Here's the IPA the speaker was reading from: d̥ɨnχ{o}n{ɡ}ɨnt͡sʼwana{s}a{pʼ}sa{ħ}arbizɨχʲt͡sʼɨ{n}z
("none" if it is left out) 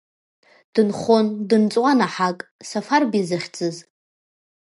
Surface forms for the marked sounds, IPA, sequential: o, d, ħ, kʼ, f, none

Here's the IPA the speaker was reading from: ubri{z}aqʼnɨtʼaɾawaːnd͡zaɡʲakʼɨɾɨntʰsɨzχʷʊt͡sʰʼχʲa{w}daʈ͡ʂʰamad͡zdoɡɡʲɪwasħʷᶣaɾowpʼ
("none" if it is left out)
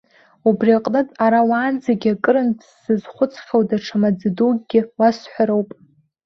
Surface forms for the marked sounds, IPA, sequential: none, w

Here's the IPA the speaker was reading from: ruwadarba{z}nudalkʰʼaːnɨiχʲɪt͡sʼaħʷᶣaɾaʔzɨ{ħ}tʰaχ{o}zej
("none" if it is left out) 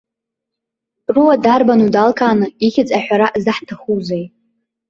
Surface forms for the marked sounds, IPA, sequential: none, ħ, u

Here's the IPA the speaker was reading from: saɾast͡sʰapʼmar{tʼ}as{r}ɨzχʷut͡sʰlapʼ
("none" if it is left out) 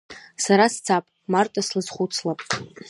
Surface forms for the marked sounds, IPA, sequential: tʼ, l

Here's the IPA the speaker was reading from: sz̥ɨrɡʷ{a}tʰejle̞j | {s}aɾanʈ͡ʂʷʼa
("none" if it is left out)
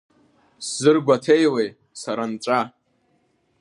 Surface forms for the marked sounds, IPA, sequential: a, s

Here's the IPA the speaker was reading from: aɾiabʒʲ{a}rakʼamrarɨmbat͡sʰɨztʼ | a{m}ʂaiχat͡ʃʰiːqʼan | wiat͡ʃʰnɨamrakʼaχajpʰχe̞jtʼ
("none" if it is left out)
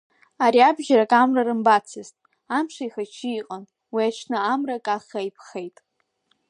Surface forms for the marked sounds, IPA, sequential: a, m

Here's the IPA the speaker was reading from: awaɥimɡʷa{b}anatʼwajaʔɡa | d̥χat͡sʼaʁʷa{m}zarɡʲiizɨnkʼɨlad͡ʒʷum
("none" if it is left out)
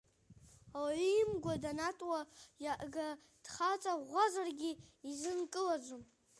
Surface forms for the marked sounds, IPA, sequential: d, none

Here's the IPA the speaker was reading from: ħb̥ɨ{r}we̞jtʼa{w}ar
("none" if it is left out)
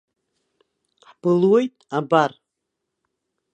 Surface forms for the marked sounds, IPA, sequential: l, b

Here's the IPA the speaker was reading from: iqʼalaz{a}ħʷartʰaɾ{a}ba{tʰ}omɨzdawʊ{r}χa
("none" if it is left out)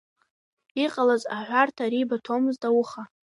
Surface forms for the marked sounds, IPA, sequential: a, i, tʰ, none

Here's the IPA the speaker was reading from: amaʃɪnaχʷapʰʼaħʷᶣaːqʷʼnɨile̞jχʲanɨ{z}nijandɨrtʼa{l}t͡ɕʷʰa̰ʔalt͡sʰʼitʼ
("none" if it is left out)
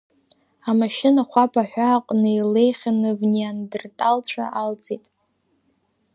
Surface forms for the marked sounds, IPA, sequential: v, l

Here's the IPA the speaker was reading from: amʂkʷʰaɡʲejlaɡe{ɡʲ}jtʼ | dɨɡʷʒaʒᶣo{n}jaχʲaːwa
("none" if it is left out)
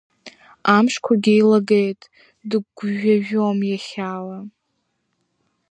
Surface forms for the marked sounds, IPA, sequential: none, m

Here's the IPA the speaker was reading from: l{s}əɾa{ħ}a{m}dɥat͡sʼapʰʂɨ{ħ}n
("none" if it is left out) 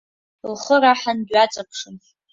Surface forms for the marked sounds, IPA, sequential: χ, ħ, n, none

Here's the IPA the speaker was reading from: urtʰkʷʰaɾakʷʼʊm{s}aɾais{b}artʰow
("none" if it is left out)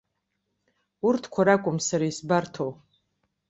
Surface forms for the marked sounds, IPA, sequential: s, b

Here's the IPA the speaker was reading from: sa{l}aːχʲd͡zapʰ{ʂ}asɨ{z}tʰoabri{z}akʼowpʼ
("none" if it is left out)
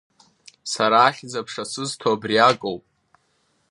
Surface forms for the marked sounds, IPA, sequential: ɾ, ʂ, z, none

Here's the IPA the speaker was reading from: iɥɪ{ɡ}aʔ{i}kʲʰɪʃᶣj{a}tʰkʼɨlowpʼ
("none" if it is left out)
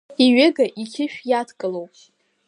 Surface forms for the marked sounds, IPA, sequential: ɡ, i, a

